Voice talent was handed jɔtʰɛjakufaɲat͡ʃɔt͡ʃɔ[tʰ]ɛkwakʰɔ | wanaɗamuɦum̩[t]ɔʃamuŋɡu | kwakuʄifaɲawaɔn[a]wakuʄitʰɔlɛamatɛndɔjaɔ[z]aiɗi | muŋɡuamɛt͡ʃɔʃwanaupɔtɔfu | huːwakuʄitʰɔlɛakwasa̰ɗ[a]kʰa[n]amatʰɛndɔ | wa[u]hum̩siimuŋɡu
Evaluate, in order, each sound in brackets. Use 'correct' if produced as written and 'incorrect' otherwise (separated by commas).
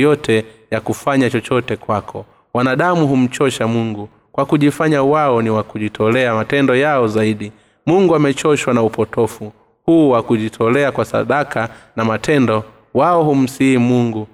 incorrect, incorrect, incorrect, correct, correct, correct, incorrect